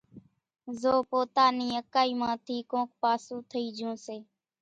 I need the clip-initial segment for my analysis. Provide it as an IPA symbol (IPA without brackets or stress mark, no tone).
z